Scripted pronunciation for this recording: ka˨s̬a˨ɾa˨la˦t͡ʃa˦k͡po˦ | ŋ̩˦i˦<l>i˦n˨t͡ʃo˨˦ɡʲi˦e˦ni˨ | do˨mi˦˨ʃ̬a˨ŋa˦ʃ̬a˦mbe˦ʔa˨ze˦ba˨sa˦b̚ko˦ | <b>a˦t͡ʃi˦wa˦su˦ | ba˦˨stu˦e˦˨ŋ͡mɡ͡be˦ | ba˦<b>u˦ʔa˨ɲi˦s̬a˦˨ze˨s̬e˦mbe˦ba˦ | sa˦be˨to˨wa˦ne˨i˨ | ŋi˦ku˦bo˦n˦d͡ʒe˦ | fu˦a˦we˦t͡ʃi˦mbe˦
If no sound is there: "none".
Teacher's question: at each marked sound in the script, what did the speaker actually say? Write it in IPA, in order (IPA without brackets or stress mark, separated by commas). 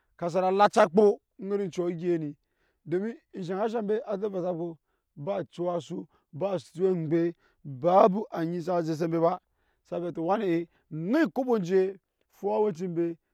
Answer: ɾ, b, b